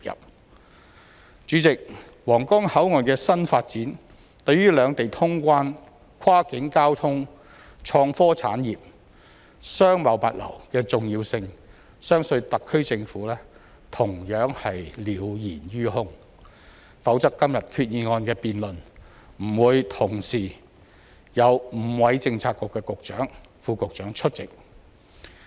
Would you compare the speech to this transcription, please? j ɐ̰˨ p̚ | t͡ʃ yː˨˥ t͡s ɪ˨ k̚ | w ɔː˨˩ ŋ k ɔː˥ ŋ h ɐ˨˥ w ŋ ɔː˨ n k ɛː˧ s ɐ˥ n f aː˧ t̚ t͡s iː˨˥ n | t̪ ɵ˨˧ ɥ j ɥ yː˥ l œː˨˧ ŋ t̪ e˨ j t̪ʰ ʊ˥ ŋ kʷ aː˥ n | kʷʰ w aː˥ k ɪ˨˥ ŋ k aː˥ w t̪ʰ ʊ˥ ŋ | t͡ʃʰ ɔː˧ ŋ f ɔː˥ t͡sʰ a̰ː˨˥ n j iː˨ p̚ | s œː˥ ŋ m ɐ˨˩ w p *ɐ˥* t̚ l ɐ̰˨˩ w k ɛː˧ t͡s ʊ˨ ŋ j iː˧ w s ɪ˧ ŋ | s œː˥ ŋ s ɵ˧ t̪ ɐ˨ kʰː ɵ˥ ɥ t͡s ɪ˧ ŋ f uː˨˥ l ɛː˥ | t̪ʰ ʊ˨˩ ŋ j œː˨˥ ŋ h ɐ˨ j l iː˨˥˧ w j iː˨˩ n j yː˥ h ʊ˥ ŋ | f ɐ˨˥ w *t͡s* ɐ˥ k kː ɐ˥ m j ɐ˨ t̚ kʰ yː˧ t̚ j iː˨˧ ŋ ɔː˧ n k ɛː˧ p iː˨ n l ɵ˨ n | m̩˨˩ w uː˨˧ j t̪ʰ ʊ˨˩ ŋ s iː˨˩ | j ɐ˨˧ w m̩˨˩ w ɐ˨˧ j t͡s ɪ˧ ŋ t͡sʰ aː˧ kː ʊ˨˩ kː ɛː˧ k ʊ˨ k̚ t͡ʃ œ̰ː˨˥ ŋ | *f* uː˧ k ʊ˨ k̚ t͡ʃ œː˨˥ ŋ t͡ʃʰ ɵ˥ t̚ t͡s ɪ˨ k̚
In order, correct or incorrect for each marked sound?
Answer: incorrect: ɐ˨, correct, correct

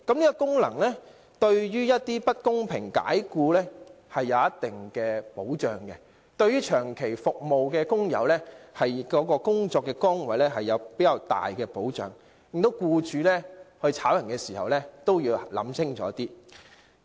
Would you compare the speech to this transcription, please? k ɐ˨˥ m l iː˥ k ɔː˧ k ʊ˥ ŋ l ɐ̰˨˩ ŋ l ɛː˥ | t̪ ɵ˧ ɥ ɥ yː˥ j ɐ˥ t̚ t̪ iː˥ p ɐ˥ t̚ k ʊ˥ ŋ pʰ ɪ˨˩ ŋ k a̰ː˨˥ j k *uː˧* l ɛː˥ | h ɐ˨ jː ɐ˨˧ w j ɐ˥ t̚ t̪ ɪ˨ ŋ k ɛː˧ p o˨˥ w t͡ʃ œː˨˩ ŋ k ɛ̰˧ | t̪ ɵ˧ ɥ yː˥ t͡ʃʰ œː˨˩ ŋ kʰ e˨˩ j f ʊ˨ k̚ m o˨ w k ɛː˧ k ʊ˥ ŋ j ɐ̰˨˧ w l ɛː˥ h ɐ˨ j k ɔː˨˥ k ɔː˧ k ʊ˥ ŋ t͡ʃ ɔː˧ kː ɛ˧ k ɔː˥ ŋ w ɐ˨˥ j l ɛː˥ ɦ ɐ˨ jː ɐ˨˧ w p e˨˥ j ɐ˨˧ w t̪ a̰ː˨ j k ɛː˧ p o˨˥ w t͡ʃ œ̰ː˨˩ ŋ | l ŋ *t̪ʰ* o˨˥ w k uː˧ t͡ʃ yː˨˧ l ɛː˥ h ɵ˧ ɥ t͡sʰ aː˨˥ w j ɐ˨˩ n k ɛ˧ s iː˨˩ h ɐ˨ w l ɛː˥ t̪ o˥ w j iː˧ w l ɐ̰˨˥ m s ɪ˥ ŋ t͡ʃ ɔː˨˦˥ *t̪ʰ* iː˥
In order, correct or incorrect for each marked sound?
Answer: correct, incorrect: t̪, incorrect: t̪

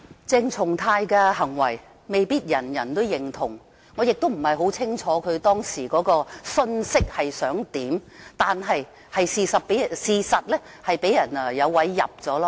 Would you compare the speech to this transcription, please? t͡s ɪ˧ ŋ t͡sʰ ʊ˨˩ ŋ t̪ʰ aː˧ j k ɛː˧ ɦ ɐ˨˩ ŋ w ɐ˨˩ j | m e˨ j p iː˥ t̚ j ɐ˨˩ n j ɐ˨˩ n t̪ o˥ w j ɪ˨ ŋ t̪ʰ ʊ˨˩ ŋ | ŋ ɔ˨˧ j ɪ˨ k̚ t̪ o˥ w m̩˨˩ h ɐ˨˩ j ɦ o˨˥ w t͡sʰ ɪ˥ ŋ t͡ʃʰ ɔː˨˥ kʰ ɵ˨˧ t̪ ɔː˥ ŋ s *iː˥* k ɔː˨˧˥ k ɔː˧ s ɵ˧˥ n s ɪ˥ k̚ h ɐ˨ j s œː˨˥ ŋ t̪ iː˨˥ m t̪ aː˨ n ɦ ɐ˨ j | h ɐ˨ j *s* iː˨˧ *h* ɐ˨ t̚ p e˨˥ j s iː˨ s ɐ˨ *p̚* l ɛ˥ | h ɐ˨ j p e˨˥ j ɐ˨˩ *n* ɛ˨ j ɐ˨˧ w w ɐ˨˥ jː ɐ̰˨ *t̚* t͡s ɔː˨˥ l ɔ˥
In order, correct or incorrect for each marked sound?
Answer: incorrect: iː˨˩, correct, incorrect: s, incorrect: t̚, correct, incorrect: p̚

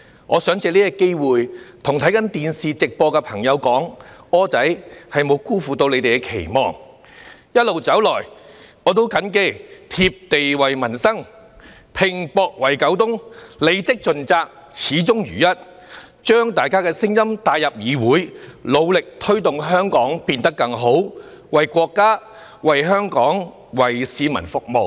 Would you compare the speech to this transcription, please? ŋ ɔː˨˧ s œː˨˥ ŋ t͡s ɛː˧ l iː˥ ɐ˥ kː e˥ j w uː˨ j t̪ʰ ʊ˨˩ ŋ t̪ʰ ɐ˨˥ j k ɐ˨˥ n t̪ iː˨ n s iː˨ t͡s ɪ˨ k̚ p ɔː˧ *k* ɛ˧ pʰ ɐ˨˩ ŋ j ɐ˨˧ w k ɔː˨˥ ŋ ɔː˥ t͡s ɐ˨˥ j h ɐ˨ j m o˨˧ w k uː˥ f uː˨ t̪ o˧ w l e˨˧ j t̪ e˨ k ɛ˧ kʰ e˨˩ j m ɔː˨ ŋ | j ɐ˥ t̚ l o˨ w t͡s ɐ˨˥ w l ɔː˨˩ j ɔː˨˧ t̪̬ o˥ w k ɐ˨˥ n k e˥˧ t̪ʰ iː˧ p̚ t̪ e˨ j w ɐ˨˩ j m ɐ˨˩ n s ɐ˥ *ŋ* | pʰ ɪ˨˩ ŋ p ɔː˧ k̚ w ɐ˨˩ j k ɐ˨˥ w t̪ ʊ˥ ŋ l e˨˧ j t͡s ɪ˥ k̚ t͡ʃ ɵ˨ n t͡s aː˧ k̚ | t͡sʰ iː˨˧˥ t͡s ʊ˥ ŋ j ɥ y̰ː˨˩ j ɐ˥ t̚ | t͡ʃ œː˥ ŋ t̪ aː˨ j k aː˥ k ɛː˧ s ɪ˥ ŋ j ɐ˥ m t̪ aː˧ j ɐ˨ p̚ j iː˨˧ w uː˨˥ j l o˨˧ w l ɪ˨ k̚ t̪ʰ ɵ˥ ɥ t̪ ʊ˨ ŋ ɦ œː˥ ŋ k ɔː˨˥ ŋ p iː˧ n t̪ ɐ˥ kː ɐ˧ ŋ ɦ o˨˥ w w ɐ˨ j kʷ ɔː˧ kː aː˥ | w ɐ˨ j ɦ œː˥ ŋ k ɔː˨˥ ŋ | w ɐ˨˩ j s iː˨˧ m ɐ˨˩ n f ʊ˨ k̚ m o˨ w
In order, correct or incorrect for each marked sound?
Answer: correct, correct

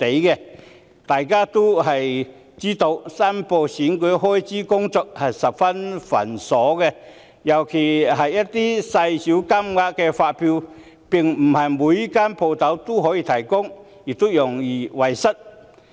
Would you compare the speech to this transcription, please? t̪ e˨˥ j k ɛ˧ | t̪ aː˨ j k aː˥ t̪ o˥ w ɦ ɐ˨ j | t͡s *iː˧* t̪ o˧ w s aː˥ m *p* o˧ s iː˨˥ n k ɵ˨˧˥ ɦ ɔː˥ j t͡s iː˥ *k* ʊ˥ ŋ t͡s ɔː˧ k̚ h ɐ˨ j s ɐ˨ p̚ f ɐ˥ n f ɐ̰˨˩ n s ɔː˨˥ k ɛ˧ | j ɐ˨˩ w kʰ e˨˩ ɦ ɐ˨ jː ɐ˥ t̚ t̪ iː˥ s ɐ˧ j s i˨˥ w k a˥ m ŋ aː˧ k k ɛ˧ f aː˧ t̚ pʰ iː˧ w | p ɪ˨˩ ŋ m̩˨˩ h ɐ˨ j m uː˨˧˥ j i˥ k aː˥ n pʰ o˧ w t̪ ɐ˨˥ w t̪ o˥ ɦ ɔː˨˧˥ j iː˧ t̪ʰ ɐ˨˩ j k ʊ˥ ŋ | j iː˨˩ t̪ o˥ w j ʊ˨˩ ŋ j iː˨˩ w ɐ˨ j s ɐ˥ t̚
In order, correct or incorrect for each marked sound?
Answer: incorrect: iː˥, correct, correct

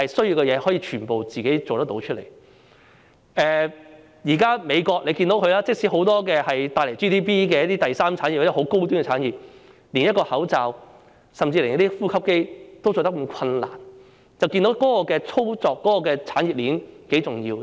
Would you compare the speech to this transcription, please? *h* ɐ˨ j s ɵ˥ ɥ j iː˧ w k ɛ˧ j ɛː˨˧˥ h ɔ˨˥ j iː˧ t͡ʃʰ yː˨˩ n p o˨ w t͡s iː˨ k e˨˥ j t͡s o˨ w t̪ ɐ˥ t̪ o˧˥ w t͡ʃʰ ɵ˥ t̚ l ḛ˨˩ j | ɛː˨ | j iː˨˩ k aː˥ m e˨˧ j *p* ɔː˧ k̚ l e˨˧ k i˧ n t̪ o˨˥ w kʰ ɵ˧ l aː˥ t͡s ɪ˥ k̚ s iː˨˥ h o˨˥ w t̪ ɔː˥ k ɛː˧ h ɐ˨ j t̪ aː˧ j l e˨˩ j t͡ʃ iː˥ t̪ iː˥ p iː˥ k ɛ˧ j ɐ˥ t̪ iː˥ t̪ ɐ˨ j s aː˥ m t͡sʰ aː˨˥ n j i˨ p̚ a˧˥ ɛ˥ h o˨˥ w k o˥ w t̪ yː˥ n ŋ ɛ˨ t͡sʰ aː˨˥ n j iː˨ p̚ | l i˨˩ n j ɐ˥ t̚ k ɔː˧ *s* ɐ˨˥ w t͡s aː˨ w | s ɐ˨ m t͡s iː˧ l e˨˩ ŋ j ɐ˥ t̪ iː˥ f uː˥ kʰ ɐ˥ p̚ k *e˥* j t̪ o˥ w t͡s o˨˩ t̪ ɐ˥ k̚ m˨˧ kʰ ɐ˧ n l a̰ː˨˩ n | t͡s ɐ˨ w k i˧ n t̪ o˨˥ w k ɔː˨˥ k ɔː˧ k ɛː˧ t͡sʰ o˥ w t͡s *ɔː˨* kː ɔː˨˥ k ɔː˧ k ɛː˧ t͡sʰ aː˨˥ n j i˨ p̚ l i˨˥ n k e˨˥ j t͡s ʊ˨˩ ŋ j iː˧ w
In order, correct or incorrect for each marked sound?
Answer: correct, incorrect: k, incorrect: h, correct, correct

